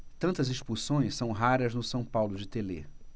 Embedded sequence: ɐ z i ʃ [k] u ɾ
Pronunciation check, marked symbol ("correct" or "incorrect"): incorrect